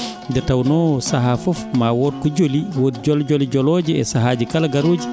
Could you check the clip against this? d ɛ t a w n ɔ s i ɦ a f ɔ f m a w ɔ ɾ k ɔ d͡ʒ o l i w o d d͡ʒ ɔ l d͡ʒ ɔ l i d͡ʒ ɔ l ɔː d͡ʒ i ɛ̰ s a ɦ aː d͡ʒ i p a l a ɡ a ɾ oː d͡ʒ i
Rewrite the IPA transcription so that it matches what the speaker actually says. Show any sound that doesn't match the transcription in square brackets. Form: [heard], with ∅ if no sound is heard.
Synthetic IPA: d ɛ t a w n ɔ s [a] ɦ a f ɔ f m a w ɔ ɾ k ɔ d͡ʒ o l i w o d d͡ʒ ɔ l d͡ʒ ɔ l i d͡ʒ ɔ l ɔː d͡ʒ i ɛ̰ s a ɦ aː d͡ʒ i [k] a l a ɡ a ɾ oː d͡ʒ i